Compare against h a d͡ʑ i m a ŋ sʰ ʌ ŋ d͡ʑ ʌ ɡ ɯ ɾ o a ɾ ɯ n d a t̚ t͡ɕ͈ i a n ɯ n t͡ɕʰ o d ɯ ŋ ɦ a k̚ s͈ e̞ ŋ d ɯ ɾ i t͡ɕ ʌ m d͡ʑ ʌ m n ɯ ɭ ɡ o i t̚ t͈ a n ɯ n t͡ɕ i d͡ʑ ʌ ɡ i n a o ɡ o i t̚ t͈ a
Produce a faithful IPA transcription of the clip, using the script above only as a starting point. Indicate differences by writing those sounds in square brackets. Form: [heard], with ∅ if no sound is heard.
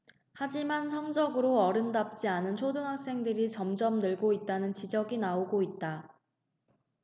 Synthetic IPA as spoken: h a d͡ʑ i m a [n] sʰ ʌ ŋ d͡ʑ ʌ ɡ ɯ ɾ o [ʌ] ɾ ɯ n d a [p̚] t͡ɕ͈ i a n ɯ n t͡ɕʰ o d ɯ ŋ ɦ a k̚ s͈ e̞ ŋ d ɯ ɾ i t͡ɕ ʌ m d͡ʑ ʌ m n ɯ ɭ ɡ o i t̚ t͈ a n ɯ n t͡ɕ i d͡ʑ ʌ ɡ i n a o ɡ o i t̚ t͈ a

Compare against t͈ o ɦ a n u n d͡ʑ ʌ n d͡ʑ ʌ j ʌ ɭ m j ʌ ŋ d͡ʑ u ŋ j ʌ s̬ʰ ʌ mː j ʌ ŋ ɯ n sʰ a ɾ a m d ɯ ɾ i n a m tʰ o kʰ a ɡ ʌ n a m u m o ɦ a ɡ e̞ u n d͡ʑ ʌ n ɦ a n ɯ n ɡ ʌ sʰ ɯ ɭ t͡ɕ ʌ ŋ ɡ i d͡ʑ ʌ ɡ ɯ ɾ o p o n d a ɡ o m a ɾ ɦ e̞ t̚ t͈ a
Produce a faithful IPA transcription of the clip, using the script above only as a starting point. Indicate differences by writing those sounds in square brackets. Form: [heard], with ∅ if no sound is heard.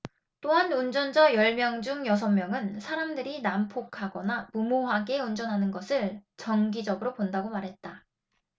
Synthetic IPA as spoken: t͈ o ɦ a n u n d͡ʑ ʌ n d͡ʑ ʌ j ʌ ɭ m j ʌ ŋ d͡ʑ u ŋ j ʌ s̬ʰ ʌ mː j ʌ ŋ ɯ n sʰ a ɾ a m d ɯ ɾ i n a m [pʰ] o kʰ a ɡ ʌ n a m u m o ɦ a ɡ e̞ u n d͡ʑ ʌ n ɦ a n ɯ n ɡ ʌ sʰ ɯ ɭ t͡ɕ ʌ ŋ ɡ i d͡ʑ ʌ ɡ ɯ ɾ o p o n d a ɡ o m a ɾ ɦ e̞ t̚ t͈ a

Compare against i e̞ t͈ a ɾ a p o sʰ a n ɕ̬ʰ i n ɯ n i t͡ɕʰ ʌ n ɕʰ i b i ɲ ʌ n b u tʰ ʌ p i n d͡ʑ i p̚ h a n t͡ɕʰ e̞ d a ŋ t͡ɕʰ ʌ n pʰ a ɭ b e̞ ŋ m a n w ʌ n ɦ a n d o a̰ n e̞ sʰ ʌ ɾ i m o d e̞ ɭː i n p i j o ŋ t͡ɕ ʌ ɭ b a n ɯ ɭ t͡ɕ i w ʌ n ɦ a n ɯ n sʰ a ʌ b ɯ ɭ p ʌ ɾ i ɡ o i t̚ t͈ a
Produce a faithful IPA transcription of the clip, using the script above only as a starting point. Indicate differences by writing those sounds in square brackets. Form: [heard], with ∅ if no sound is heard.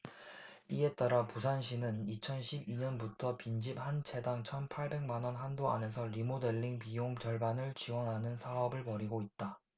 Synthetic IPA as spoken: i e̞ t͈ a ɾ a p [u] sʰ a n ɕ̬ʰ i n ɯ n i t͡ɕʰ ʌ n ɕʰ i b i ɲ ʌ n b u tʰ ʌ p i n d͡ʑ i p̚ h a n t͡ɕʰ e̞ d a ŋ t͡ɕʰ ʌ n pʰ a ɭ b e̞ ŋ m a n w ʌ n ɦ a n d o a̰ n e̞ sʰ ʌ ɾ i m o d e̞ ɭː i [ŋ] p i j o ŋ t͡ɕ ʌ ɭ b a n ɯ ɭ t͡ɕ i w ʌ n ɦ a n ɯ n sʰ a ʌ b ɯ ɭ p ʌ ɾ i ɡ o i t̚ t͈ a

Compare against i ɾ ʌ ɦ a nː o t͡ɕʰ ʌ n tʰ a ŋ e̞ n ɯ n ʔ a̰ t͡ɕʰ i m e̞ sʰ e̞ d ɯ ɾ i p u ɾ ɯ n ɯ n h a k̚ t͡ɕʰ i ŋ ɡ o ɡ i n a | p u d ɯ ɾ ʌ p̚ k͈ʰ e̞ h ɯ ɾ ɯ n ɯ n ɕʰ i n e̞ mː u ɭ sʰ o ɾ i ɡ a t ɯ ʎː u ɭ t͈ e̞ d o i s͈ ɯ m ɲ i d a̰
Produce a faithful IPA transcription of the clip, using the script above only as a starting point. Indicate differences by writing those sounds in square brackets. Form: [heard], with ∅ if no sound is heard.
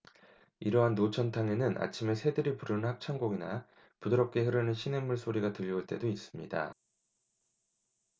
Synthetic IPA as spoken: i ɾ ʌ ɦ a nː o t͡ɕʰ ʌ n tʰ a ŋ e̞ n ɯ n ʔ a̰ t͡ɕʰ i m e̞ sʰ e̞ d ɯ ɾ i p u ɾ ɯ n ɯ n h a k̚ t͡ɕʰ [a] ŋ ɡ o ɡ i n a | p u d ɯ ɾ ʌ p̚ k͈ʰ e̞ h ɯ ɾ ɯ n ɯ n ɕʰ i n e̞ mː u ɭ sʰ o ɾ i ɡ a t ɯ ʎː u ɭ t͈ e̞ d o i s͈ ɯ m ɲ i d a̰

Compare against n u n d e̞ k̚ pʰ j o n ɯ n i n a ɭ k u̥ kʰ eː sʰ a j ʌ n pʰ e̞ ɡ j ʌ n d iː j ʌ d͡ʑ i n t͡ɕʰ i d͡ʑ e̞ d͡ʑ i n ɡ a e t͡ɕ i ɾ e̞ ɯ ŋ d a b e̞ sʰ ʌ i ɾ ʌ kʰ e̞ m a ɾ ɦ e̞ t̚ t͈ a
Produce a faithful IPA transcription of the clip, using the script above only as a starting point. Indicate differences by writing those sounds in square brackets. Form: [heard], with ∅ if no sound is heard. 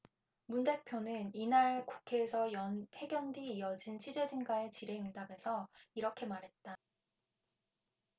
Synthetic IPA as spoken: [m] u n d e̞ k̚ pʰ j o n ɯ n i n a ɭ k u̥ kʰ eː sʰ [ʌ] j ʌ n pʰ e̞ ɡ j ʌ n d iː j ʌ d͡ʑ i n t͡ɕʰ i d͡ʑ e̞ d͡ʑ i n ɡ a e t͡ɕ i ɾ e̞ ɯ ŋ d a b e̞ sʰ ʌ i ɾ ʌ kʰ e̞ m a ɾ ɦ e̞ t̚ t͈ a

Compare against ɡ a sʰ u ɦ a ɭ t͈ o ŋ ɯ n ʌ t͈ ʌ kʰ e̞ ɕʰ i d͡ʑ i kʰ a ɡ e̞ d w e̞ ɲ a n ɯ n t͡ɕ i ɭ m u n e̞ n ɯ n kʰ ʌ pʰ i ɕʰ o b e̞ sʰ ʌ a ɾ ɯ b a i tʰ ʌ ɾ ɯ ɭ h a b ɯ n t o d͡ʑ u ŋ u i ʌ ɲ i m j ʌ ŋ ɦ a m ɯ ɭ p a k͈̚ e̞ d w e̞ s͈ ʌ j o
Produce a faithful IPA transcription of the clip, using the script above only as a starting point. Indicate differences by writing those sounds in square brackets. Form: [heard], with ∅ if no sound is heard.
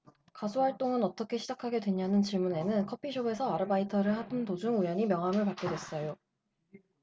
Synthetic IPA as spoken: [k] a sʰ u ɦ a ɭ t͈ o ŋ ɯ n ʌ t͈ ʌ kʰ e̞ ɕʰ i d͡ʑ [a] kʰ a ɡ e̞ d w e̞ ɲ a n ɯ n t͡ɕ i ɭ m u n e̞ n ɯ n kʰ ʌ pʰ i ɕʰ o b e̞ sʰ ʌ a ɾ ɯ b a i tʰ ʌ ɾ ɯ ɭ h a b ɯ n t o d͡ʑ u ŋ u [j] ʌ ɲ i m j ʌ ŋ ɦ a m ɯ ɭ p a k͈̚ e̞ d w e̞ s͈ ʌ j o

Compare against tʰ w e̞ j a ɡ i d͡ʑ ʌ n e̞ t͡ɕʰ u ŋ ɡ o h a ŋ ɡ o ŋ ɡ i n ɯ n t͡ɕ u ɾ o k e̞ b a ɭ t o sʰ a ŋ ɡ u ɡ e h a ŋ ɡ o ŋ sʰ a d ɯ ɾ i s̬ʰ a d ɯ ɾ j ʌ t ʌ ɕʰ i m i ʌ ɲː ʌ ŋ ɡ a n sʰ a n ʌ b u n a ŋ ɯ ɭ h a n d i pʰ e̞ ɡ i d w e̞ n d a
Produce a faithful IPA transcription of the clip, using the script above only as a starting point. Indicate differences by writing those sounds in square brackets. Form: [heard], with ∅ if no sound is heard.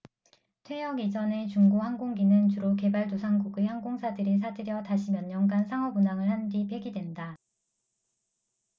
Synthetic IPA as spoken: tʰ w e̞ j [ʌ] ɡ i d͡ʑ ʌ n e̞ [t͡ɕ] u ŋ ɡ o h a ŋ ɡ o ŋ ɡ i n ɯ n t͡ɕ u ɾ o k e̞ b a ɭ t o sʰ a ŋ ɡ u ɡ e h a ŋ ɡ o ŋ sʰ a d ɯ ɾ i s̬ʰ a d ɯ ɾ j ʌ t [a] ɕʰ i m [j] ʌ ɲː ʌ ŋ ɡ a n sʰ a [ŋ] ʌ b u n a ŋ ɯ ɭ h a n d i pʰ e̞ ɡ i d w e̞ n d a

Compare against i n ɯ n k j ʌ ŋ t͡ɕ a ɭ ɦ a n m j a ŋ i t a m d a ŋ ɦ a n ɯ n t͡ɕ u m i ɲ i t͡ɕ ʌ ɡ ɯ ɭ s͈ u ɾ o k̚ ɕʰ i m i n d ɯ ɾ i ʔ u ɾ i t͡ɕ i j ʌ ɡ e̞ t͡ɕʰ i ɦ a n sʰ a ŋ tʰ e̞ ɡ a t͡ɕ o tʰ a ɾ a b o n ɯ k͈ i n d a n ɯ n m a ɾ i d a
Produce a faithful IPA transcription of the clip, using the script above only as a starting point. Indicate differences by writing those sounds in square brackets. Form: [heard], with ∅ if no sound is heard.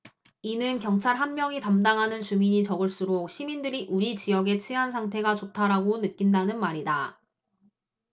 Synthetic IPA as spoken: i n ɯ n k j ʌ ŋ [t͡ɕʰ] a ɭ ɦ a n m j [ʌ] ŋ i t a m d a ŋ ɦ a n ɯ n t͡ɕ u m i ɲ i t͡ɕ ʌ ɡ ɯ ɭ s͈ u ɾ o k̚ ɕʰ i m i n d ɯ ɾ i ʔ u ɾ i t͡ɕ i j ʌ ɡ e̞ t͡ɕʰ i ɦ a n sʰ a ŋ tʰ e̞ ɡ a t͡ɕ o tʰ a ɾ a [ɡ] o n ɯ k͈ i n d a n ɯ n m a ɾ i d a

